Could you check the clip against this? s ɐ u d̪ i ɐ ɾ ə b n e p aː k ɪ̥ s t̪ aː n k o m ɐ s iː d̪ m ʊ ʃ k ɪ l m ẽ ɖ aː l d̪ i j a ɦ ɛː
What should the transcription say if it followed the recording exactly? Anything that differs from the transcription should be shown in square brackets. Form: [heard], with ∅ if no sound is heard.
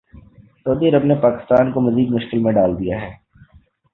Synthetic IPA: s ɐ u d̪ i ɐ ɾ ə b n e p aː k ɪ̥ s t̪ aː n k o m ɐ [z] iː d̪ m ʊ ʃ k ɪ l m ẽ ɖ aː l d̪ i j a ɦ ɛː